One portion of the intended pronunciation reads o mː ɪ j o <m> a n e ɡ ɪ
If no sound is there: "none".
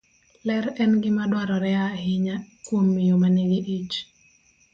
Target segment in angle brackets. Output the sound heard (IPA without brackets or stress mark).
m